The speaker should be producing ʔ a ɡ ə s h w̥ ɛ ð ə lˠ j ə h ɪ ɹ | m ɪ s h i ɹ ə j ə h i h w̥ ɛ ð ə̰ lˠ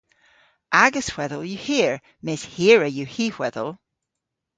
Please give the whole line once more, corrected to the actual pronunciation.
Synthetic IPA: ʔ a ɡ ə s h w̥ ɛ ð ə lˠ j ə h i ɹ | m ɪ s h i ɹ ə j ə h i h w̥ ɛ ð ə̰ lˠ

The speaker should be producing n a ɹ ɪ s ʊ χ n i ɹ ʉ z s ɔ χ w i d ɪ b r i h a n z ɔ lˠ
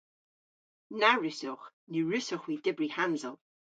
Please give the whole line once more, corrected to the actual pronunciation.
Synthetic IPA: n a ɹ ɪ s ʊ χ n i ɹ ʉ s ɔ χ w i d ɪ b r i h a n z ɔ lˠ

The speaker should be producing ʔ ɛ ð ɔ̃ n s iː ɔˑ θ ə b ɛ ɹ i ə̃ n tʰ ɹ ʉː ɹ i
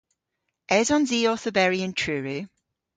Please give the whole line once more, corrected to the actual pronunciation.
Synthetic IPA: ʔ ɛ z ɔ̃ n z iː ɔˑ θ ə b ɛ ɹ i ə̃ n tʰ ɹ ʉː ɹ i

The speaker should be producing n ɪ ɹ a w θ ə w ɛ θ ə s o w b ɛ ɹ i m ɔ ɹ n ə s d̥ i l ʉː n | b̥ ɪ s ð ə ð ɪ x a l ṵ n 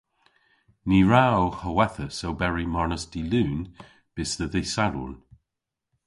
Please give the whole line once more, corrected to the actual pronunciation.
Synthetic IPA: n i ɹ a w h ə w ɛ θ ə s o w b ɛ ɹ i m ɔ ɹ n ə s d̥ i l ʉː n | b̥ ɪ s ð ə ð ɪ s a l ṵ n

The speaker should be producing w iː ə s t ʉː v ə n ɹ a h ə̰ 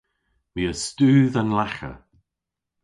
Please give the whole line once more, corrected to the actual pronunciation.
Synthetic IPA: w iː ə s t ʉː ð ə n l a x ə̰

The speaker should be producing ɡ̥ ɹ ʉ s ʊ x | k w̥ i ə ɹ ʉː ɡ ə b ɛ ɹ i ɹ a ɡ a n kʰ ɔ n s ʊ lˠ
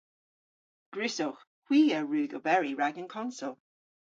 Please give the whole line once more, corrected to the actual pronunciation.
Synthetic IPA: ɡ̥ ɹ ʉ s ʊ x | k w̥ iː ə ɹ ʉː ɡ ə b ɛ ɹ i ɹ a ɡ ə n kʰ ɔ n s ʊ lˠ

